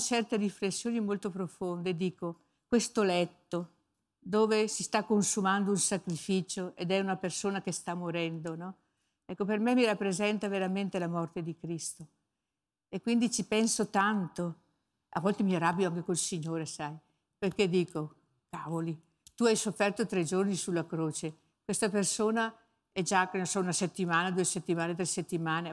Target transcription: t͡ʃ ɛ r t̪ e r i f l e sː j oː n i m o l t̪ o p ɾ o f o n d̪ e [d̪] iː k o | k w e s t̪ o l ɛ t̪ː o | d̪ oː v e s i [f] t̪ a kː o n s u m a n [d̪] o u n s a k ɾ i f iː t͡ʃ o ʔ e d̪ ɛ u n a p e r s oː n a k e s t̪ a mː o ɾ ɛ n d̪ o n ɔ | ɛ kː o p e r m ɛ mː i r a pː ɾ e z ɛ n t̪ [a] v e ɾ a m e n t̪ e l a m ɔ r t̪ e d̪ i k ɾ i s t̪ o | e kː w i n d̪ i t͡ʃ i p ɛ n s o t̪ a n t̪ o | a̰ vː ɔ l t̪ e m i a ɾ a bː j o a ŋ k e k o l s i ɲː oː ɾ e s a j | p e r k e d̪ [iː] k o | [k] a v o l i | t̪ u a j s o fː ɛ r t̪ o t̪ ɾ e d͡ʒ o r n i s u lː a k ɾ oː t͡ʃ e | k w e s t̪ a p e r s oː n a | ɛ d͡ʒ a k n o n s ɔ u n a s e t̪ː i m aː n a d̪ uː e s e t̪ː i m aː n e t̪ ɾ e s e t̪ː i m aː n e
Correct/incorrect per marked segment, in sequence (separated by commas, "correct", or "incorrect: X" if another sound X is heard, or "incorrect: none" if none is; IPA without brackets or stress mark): correct, incorrect: s, correct, correct, correct, correct